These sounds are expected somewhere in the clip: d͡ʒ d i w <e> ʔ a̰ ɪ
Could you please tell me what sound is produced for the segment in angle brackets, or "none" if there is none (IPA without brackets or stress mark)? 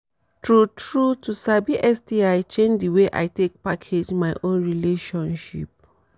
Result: e